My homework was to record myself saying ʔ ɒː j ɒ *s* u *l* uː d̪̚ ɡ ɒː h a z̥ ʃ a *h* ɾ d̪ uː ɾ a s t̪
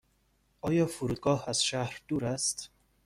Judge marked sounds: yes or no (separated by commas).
no, no, yes